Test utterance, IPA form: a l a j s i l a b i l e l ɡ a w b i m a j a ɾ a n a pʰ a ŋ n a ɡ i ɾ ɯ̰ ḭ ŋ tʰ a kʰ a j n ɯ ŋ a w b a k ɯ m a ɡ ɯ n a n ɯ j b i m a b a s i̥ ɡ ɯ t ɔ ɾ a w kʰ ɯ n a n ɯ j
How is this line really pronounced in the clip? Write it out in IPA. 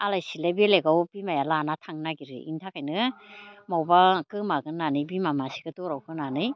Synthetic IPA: a l a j s i l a b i l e ɡ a w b i m a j a l a n a tʰ a ŋ n a ɡ i ɾ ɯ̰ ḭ n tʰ a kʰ a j n ɯ m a w b a k ɯ m a ɡ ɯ n a n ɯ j b i m a m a s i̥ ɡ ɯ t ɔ ɾ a w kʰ ɯ n a n ɯ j